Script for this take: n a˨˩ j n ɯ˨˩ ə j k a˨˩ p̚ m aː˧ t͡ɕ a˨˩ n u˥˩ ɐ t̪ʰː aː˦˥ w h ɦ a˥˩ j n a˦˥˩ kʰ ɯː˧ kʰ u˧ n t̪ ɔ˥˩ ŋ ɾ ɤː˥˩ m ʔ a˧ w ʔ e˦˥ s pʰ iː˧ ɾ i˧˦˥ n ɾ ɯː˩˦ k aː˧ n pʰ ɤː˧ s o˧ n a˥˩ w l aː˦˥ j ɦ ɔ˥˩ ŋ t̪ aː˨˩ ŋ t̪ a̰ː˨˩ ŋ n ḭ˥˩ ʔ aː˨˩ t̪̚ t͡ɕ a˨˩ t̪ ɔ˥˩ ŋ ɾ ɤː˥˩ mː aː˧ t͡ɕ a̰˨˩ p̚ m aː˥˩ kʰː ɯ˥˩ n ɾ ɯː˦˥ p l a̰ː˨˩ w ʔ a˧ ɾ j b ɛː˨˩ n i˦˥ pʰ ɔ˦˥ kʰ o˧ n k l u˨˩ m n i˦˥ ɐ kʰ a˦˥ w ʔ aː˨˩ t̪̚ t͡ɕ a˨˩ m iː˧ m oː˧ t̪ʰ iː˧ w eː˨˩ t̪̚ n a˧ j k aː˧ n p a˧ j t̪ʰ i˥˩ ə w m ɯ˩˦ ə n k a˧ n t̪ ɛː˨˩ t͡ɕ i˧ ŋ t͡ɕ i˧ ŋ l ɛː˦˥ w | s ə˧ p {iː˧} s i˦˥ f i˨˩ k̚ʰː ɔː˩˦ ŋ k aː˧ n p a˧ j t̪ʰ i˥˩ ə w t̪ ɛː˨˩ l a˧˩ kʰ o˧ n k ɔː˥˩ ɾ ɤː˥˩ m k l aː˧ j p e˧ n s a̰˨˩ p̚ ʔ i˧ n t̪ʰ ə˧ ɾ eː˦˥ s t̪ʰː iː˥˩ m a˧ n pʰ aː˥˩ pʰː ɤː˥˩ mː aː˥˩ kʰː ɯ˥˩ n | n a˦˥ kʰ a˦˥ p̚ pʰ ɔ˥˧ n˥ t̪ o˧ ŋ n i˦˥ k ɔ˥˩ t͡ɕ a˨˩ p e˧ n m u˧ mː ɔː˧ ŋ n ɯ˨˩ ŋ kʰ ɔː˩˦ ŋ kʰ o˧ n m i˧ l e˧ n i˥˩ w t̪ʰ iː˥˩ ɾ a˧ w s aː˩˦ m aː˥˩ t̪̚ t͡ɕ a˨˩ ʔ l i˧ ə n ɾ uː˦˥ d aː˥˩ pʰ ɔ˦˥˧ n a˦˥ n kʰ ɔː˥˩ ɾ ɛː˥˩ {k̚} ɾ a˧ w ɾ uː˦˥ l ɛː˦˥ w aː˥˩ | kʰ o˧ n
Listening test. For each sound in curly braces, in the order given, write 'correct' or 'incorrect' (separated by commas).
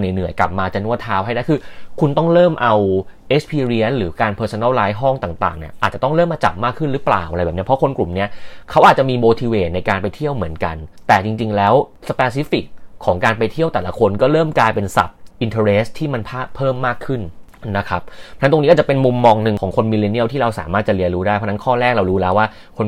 incorrect, correct